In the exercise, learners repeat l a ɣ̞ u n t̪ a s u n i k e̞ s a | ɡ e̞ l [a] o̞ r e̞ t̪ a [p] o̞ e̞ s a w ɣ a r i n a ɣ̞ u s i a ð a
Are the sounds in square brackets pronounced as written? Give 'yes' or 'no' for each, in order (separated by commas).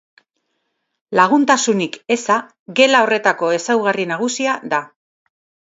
yes, no